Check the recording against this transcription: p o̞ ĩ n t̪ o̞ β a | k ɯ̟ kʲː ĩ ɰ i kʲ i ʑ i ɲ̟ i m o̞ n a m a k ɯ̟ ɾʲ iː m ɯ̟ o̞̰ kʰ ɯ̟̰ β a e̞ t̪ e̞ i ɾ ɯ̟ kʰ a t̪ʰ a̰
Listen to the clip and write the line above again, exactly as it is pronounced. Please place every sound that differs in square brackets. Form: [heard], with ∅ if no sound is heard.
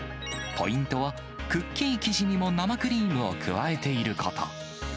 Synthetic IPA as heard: p o̞ ĩ n t̪ o̞ β a | k ɯ̟ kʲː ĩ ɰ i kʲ i ʑ i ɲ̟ i m o̞ n a m a k ɯ̟ ɾʲ iː m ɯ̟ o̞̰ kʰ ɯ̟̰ β a e̞ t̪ e̞ i ɾ ɯ̟ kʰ a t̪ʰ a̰